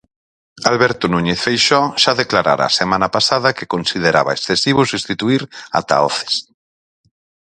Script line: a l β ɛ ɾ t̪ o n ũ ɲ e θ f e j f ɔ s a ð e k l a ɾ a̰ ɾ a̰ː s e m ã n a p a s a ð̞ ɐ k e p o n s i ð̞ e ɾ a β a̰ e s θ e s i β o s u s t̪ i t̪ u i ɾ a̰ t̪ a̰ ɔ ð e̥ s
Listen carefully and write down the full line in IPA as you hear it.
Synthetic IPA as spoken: a l β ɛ ɾ t̪ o n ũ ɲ e θ f e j ʃ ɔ ʃ a ð e k l a ɾ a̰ ɾ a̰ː s e m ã n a p a s a ð̞ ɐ k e k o n s i ð̞ e ɾ a β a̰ e s θ e s i β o s u s t̪ i t̪ u i ɾ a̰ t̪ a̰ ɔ θ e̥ s